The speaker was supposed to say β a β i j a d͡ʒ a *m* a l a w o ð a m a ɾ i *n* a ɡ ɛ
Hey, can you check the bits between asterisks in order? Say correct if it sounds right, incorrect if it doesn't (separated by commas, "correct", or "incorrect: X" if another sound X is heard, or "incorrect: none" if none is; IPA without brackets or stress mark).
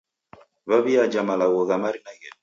correct, correct